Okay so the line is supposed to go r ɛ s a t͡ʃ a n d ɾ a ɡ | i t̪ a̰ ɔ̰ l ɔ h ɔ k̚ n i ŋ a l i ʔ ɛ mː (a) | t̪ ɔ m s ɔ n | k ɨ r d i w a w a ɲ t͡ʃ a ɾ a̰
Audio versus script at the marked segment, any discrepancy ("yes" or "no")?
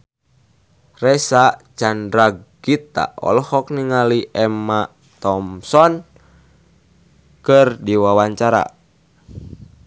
no